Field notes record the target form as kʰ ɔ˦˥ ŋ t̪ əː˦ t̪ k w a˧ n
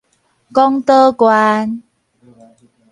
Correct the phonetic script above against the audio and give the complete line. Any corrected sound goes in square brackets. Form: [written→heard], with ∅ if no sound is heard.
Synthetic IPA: [kʰ→k] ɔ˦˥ ŋ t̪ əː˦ [t̪→∅] k w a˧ n